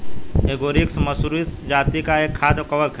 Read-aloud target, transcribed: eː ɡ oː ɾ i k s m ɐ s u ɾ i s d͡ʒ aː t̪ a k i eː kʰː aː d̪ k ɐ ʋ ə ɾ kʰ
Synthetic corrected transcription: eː ɡ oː ɾ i k s m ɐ s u ɾ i s d͡ʒ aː t̪ i k a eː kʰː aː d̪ k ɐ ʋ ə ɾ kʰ